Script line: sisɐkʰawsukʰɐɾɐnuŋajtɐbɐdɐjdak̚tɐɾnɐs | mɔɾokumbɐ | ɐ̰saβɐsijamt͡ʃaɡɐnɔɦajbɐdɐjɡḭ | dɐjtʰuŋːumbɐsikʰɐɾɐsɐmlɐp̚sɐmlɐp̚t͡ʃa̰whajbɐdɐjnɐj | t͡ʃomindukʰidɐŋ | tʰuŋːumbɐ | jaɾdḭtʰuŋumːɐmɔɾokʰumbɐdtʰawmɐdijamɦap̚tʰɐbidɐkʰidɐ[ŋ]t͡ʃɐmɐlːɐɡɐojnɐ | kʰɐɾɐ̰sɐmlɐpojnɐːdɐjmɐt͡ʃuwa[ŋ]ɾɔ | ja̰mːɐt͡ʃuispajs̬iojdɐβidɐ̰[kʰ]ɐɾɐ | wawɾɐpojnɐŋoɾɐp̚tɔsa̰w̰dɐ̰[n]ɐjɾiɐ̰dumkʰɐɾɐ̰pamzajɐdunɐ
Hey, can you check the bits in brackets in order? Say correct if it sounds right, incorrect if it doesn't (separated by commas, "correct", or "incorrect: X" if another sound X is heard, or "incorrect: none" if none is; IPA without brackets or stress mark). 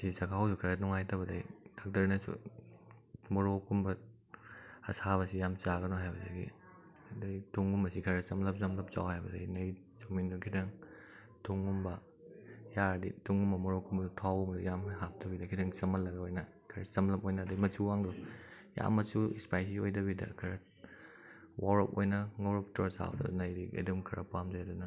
correct, correct, correct, correct